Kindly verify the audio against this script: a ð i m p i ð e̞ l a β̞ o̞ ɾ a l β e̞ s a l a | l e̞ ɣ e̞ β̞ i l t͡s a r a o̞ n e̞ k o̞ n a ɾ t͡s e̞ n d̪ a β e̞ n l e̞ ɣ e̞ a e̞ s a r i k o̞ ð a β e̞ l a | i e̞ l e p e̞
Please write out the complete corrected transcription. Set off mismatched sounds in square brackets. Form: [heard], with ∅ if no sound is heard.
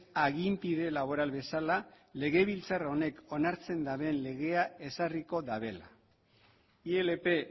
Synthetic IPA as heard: a [ɣ] i m p i ð e̞ l a β̞ o̞ ɾ a l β e̞ s a l a | l e̞ ɣ e̞ β̞ i l t͡s a r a o̞ n e̞ k o̞ n a ɾ t͡s e̞ n d̪ a β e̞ n l e̞ ɣ e̞ a e̞ s a r i k o̞ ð a β e̞ l a | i e̞ l e p e̞